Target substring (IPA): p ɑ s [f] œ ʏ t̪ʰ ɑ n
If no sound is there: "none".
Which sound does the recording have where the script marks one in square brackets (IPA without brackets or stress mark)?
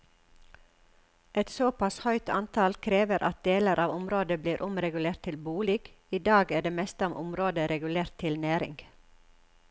h